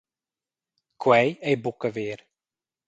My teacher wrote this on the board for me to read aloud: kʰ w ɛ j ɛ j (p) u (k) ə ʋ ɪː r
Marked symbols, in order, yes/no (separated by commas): no, yes